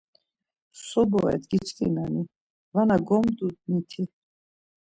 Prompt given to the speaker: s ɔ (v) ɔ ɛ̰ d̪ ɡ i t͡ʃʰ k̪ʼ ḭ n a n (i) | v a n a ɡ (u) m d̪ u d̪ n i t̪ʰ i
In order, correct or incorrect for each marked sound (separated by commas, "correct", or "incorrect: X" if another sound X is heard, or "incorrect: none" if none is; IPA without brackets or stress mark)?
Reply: incorrect: b, correct, incorrect: ɔ